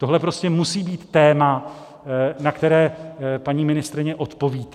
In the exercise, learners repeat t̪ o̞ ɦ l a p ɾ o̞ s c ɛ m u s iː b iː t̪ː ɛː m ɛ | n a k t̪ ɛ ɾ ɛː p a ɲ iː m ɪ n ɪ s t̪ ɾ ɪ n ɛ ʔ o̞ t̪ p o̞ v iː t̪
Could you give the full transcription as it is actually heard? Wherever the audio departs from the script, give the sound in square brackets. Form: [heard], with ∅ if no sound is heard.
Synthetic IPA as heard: t̪ o̞ ɦ l [ɛ] p ɾ o̞ s c ɛ m u s iː b iː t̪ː ɛː m [a] | n a k t̪ ɛ ɾ ɛː p a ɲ iː m ɪ n ɪ s t̪ ɾ ɪ [ɲ] ɛ ʔ o̞ t̪ p o̞ v iː t̪